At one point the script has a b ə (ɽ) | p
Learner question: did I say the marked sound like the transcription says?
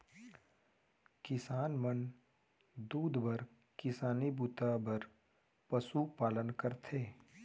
no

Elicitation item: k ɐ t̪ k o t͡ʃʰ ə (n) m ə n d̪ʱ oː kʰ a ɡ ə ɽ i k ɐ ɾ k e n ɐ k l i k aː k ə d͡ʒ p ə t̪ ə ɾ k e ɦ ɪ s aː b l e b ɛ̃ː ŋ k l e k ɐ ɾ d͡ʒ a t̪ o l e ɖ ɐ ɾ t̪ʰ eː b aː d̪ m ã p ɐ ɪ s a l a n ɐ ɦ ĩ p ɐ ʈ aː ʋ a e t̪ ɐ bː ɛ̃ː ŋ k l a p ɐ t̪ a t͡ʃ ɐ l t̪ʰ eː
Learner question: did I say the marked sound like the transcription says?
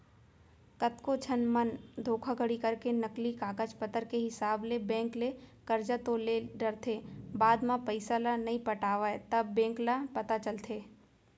yes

